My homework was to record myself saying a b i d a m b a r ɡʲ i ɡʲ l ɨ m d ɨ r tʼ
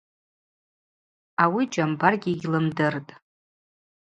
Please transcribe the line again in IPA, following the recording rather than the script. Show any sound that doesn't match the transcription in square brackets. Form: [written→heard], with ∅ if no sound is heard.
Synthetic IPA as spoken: a [b→w] i [d→d͡ʒ] a m b a r ɡʲ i ɡʲ l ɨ m d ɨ r tʼ